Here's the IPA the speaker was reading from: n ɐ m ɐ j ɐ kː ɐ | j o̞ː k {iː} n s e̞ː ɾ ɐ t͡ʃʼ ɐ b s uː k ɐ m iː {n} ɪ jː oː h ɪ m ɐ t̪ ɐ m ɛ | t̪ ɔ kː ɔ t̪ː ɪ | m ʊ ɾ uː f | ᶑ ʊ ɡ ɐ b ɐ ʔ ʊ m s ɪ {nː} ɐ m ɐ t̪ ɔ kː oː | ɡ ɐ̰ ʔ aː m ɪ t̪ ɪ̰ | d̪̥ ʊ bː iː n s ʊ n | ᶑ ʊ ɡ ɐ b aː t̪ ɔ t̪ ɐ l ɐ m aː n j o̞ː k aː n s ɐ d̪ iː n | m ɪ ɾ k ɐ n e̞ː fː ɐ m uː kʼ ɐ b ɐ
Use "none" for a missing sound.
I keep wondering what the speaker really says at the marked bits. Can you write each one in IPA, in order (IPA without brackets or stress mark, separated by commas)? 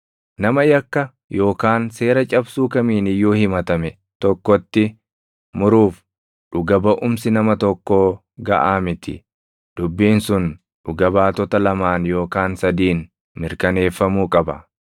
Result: aː, n, n